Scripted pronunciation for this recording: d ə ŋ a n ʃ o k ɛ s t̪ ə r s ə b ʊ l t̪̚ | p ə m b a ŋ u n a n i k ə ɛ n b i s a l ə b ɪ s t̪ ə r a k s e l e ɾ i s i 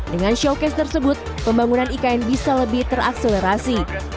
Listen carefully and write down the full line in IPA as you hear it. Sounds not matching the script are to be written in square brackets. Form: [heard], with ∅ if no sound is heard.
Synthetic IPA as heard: d ə ŋ a n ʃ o k ɛ s t̪ ə r s ə b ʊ [∅] t̪̚ | p ə m b a ŋ u n a n i k [a] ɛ n b i s a l ə b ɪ [h] t̪ ə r a k s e l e ɾ [a] s i